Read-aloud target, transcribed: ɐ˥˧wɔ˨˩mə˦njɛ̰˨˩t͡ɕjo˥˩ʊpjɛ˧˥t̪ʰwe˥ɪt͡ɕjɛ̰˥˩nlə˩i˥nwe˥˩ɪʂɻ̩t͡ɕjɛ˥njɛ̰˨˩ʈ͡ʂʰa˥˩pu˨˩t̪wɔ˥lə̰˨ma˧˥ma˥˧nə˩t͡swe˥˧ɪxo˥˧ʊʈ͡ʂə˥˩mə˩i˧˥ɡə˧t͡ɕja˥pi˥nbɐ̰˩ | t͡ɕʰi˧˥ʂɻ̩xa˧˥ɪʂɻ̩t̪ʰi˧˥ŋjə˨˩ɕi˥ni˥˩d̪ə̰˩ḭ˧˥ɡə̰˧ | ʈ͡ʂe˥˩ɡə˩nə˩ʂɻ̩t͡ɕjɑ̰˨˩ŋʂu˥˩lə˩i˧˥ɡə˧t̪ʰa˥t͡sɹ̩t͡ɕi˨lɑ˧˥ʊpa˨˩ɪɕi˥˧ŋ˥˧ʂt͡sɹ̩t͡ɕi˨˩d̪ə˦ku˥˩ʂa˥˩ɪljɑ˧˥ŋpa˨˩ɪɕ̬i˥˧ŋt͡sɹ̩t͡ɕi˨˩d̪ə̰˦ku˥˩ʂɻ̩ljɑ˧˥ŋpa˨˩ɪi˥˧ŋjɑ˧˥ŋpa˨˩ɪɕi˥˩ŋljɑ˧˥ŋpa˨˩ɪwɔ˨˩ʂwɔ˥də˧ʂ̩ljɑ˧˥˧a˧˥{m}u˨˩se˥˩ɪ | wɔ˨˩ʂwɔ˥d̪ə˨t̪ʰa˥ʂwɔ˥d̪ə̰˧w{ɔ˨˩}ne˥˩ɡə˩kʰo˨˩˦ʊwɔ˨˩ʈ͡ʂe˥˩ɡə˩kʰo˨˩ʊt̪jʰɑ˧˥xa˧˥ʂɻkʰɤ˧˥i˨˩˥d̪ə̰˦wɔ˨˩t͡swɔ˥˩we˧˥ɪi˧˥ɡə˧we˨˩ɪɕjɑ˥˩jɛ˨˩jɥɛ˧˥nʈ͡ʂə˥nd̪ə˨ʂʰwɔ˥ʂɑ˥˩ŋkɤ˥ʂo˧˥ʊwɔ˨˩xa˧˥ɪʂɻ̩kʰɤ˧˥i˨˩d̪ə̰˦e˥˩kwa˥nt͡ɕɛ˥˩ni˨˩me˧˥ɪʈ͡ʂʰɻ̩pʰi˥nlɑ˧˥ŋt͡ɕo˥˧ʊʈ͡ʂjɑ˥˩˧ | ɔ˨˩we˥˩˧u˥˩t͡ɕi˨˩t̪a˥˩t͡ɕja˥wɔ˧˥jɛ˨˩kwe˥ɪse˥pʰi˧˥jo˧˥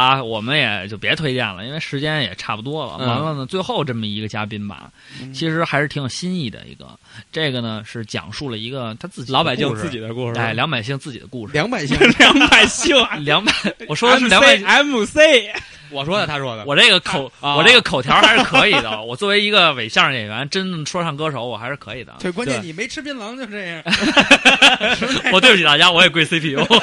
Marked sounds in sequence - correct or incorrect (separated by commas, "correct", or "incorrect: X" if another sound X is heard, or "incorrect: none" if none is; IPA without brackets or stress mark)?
correct, correct